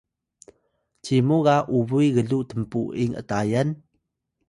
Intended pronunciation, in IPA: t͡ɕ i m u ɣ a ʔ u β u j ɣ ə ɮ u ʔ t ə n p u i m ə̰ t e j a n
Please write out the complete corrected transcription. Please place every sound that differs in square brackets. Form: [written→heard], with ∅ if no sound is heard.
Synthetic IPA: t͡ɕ i m u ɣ a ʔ u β u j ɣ ə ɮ u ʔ t ə [n→m] p u i [m→ŋ] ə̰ t [e→a] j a n